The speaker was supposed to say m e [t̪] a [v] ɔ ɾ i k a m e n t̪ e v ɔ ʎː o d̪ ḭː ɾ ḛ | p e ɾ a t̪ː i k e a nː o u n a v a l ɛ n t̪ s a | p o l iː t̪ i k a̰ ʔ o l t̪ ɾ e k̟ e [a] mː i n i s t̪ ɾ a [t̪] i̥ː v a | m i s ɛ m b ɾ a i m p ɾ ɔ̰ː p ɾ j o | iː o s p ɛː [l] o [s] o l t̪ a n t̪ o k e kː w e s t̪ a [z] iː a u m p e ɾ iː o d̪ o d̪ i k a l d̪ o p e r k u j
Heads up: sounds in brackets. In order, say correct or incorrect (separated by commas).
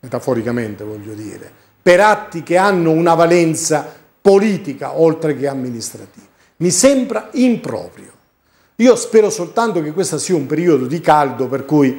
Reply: correct, incorrect, correct, correct, incorrect, correct, incorrect